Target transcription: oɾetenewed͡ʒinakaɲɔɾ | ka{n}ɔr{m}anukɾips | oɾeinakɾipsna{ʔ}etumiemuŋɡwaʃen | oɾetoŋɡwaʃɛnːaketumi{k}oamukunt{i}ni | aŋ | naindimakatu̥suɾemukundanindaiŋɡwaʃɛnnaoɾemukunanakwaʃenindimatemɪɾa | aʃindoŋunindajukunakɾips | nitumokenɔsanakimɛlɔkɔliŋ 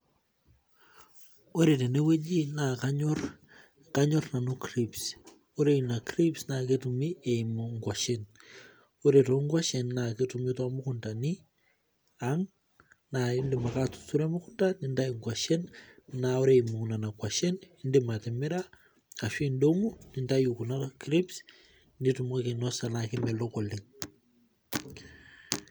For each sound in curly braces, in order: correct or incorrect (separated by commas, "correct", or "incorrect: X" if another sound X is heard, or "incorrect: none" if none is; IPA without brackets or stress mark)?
incorrect: ɲ, incorrect: n, incorrect: k, incorrect: t, incorrect: a